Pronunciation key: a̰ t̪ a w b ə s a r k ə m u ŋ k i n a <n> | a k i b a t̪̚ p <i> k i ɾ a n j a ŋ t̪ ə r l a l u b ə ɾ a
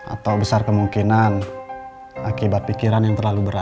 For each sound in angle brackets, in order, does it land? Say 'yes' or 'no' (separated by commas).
yes, yes